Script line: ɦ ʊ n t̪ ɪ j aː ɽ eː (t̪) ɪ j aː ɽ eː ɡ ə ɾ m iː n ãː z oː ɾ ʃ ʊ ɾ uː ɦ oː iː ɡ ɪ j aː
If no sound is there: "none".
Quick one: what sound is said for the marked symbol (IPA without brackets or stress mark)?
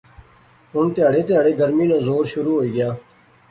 t̪